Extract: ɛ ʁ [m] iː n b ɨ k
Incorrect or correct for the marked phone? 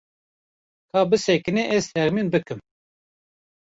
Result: correct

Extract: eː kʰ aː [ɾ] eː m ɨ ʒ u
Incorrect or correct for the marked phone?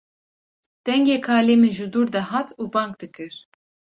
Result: incorrect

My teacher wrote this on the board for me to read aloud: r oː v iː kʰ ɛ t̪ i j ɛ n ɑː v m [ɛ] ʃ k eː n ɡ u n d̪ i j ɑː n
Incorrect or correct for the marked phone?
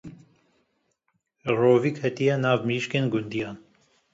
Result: incorrect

